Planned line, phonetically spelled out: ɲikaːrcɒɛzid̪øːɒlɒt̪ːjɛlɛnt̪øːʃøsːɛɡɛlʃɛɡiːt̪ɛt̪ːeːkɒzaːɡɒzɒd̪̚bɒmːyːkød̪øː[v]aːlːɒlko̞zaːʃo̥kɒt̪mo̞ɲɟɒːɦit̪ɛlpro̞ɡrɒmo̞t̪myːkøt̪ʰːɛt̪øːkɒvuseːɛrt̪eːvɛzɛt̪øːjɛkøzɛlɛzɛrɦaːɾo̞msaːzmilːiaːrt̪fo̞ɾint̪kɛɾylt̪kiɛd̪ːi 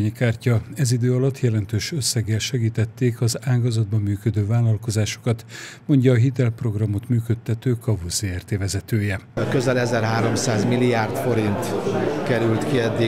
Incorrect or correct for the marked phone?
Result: correct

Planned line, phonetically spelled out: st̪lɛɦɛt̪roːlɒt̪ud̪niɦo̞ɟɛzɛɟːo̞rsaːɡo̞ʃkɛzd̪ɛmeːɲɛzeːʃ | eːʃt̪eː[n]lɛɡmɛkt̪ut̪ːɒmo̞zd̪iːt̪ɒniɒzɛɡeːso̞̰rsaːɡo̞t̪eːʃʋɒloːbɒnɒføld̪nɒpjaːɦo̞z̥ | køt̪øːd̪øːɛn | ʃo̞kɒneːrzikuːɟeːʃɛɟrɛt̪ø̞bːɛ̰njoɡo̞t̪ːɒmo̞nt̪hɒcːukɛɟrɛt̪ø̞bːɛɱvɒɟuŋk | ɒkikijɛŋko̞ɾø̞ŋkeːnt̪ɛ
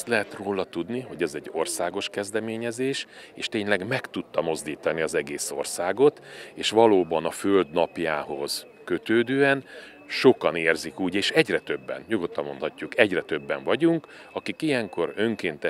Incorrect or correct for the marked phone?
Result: incorrect: ɲ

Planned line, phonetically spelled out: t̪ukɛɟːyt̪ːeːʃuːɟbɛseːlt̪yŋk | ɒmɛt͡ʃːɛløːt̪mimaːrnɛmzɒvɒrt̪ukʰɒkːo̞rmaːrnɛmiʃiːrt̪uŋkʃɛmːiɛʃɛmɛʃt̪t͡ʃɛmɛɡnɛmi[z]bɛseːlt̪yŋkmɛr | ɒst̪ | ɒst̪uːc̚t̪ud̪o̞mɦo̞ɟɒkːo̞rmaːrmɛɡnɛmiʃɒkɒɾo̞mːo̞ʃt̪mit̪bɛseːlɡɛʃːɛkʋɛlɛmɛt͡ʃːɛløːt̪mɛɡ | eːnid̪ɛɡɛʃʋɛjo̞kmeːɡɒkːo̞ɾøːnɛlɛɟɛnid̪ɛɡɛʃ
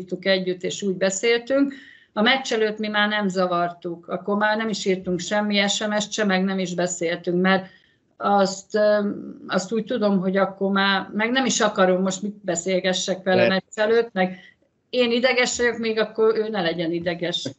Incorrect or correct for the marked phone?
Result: incorrect: ʒ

